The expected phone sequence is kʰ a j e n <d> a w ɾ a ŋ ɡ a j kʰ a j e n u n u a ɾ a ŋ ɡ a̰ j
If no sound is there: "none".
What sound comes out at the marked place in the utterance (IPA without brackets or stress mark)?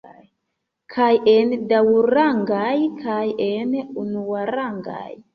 d